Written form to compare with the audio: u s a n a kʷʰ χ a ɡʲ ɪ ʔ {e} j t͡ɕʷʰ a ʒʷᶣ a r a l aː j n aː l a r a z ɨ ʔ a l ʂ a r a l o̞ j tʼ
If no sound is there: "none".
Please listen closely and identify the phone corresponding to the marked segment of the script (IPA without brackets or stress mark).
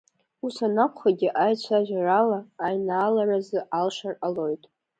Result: a